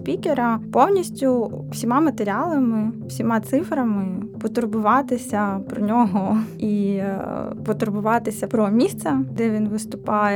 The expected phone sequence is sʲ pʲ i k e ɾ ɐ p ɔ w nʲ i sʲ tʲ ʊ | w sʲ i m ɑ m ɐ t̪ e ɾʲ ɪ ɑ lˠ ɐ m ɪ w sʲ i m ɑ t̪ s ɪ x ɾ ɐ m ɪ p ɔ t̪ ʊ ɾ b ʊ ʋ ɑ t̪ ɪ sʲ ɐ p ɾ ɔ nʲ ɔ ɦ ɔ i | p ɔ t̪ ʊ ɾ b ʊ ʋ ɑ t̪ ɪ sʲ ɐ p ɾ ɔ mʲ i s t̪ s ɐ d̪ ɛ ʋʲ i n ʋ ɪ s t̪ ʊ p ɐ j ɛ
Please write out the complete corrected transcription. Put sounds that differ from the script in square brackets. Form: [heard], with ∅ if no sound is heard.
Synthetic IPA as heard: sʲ pʲ i k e ɾ ɐ p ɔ w nʲ i sʲ tʲ ʊ | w sʲ i m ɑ m ɐ t̪ e ɾʲ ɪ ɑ lˠ ɐ m ɪ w sʲ i m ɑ t̪ s ɪ [f] ɾ ɐ m ɪ p ɔ t̪ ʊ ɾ b ʊ ʋ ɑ t̪ ɪ sʲ ɐ p ɾ ɔ nʲ ɔ ɦ ɔ i | p ɔ t̪ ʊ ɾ b ʊ ʋ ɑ t̪ ɪ sʲ ɐ p ɾ ɔ mʲ i s t̪ s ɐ d̪ ɛ ʋʲ i n ʋ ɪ s t̪ ʊ p [ɑ] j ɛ